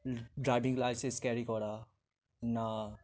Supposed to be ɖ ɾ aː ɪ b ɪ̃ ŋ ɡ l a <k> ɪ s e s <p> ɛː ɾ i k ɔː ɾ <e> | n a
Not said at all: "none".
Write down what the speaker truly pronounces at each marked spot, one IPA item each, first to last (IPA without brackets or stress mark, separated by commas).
none, k, a